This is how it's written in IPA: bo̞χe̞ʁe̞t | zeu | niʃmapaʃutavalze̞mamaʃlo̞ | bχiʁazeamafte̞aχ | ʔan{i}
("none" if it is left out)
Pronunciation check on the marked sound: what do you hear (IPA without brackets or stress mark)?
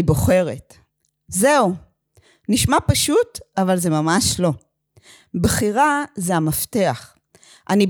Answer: i